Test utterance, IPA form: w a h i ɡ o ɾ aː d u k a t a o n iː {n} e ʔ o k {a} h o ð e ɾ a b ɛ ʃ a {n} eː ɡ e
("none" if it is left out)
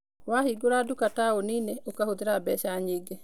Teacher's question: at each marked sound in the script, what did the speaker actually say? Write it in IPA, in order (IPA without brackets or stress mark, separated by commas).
n, a, ɲ